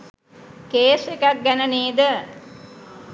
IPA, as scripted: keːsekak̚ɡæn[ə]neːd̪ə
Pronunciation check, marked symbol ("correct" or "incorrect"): correct